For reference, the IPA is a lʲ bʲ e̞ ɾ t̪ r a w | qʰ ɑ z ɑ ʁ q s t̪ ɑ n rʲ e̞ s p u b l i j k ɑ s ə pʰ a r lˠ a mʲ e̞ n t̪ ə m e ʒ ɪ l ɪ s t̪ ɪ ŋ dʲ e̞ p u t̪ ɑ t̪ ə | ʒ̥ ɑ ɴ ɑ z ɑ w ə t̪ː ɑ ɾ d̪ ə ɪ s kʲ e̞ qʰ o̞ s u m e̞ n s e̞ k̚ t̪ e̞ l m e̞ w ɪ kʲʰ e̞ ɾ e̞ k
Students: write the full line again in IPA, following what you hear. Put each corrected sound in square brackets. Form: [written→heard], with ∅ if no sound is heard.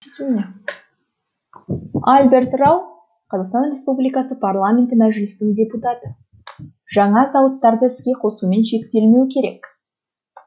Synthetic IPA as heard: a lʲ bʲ e̞ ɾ t̪ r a w | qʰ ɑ z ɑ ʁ q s t̪ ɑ n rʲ e̞ s p u b l i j k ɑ s ə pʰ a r lˠ a mʲ e̞ n t̪ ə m [e→æ] ʒ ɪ l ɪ s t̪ ɪ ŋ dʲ e̞ p u t̪ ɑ t̪ ə | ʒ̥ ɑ ɴ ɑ z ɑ w ə t̪ː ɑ ɾ d̪ ə ɪ s kʲ e̞ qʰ o̞ s u m e̞ n [s→ʃ] e̞ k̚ t̪ e̞ l m e̞ w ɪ kʲʰ e̞ ɾ e̞ k